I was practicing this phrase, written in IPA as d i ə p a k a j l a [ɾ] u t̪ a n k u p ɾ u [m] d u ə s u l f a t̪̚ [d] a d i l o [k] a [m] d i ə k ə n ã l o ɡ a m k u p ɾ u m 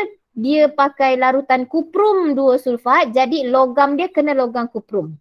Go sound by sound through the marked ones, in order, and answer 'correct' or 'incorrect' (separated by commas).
correct, correct, incorrect, incorrect, correct